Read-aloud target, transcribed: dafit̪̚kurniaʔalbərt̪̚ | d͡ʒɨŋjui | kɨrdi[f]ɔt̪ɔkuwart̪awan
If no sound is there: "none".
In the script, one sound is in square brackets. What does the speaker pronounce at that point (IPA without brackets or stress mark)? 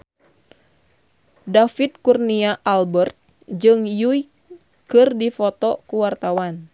f